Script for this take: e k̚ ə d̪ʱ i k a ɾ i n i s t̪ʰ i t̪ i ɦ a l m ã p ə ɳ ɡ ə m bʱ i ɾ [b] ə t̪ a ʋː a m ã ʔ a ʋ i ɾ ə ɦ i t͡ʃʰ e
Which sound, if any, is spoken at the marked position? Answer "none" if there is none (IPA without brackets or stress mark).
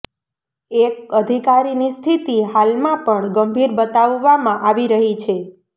b